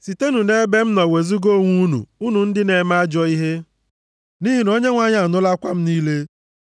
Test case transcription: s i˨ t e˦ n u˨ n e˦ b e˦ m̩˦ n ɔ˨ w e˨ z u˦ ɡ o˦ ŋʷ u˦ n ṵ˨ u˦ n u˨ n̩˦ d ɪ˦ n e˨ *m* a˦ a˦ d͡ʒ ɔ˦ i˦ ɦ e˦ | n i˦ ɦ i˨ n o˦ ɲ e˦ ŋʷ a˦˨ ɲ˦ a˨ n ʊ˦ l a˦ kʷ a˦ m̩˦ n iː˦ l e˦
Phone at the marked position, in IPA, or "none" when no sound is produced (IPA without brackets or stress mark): m